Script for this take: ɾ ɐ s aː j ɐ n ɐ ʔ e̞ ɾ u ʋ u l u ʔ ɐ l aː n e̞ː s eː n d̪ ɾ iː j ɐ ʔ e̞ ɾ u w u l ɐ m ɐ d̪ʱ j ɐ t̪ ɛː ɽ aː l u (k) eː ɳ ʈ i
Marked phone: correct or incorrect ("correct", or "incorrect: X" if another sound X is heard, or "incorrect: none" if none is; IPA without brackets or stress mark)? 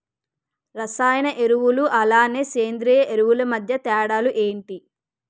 incorrect: ʔ